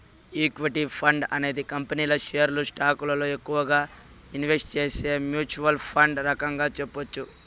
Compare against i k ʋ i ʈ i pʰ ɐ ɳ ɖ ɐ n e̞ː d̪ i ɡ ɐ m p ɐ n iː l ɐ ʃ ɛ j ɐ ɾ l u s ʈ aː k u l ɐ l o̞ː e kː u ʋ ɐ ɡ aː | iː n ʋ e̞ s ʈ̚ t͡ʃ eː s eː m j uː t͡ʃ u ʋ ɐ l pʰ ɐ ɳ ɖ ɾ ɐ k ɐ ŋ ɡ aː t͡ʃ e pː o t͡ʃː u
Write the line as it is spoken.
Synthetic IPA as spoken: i k ʋ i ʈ i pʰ ɐ ɳ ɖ ɐ n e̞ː d̪ i k ɐ m p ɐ n iː l ɐ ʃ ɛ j ɐ ɾ l u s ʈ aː k u l ɐ l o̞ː e kː u ʋ ɐ ɡ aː | i n ʋ e̞ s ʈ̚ t͡ʃ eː s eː m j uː t͡ʃ u ʋ ɐ l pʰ ɐ ɳ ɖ ɾ ɐ k ɐ ŋ ɡ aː t͡ʃ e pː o t͡ʃː u

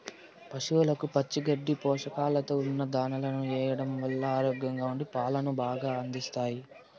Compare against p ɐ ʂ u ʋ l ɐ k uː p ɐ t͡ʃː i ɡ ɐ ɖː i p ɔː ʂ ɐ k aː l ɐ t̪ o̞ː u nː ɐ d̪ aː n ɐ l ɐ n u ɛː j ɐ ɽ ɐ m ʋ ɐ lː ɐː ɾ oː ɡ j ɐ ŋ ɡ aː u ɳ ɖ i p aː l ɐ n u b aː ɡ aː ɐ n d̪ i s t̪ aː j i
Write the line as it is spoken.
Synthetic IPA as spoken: p ɐ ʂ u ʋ l ɐ k u p ɐ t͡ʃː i ɡ ɐ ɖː i p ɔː ʂ ɐ k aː l ɐ t̪ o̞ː u nː ɐ d̪ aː n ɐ l ɐ n u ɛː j ɐ ɽ ɐ m ʋ ɐ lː ɐː ɾ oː ɡ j ɐ ŋ ɡ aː u ɳ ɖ i p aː l ɐ n u b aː ɡ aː ɐ n d̪ i s t̪ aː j i

